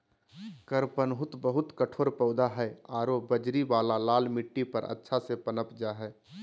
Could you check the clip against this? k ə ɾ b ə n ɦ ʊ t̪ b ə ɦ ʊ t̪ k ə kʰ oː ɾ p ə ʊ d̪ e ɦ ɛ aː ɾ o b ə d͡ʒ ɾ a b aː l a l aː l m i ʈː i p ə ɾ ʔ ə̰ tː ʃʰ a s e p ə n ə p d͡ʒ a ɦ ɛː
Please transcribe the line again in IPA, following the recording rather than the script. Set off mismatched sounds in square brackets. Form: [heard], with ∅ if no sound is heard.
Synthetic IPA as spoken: k ə ɾ [p] ə n ɦ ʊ t̪ b ə ɦ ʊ t̪ k ə [ʈʰ] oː ɾ p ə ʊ d̪ [a] ɦ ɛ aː ɾ o b ə d͡ʒ ɾ [i] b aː l a l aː l m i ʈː i p ə ɾ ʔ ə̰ tː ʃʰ a s e p ə n ə p d͡ʒ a ɦ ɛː